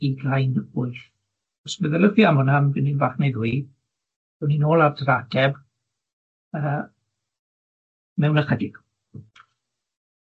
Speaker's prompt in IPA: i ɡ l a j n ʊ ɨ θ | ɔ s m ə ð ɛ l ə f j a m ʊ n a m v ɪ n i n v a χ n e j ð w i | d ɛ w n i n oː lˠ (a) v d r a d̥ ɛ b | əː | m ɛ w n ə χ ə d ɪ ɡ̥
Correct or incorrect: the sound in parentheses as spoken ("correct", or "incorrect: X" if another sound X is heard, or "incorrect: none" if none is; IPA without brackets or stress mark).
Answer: correct